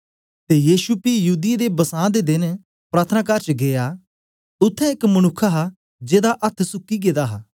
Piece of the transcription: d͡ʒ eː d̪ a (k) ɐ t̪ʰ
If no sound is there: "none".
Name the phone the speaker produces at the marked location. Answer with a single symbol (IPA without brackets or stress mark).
ʔ